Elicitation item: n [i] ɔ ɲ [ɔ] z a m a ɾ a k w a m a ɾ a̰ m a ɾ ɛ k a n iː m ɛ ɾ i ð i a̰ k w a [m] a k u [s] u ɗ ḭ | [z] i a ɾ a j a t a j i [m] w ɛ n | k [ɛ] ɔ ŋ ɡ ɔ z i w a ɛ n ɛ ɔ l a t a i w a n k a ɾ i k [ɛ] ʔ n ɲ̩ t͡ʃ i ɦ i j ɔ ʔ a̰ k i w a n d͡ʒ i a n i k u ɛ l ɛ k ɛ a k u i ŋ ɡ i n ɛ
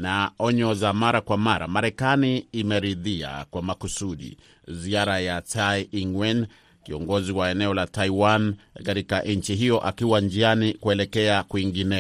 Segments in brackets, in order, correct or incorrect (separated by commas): incorrect, correct, correct, correct, correct, incorrect, incorrect, incorrect